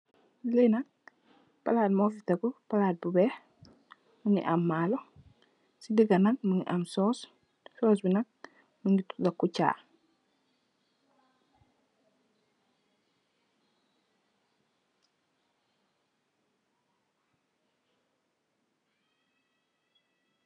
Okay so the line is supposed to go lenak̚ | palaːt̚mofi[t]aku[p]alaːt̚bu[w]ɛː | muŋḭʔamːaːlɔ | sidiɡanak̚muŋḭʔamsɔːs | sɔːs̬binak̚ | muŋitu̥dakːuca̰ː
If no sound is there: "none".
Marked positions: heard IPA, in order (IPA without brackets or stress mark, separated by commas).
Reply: t, p, b